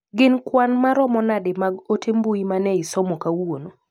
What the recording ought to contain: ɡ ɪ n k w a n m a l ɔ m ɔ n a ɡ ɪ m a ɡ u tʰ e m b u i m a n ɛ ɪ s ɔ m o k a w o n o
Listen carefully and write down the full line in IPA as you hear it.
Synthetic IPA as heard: ɡ ɪ n k w a n m a ɾ ɔ m ɔ n a d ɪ m a ɡ o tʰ e m b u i m a n ɛ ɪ s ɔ m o k a w o n o